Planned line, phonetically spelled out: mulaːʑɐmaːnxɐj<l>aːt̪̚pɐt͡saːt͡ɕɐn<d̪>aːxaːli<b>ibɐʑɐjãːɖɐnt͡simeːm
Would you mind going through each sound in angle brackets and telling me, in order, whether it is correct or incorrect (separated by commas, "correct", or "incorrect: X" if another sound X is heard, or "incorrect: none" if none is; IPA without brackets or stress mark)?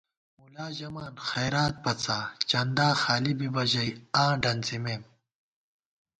incorrect: ɾ, correct, correct